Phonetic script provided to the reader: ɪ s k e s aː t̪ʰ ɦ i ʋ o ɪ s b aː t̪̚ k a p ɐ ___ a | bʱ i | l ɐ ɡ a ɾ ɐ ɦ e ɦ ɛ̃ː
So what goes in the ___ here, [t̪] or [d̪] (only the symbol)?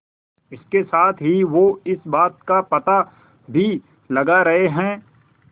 t̪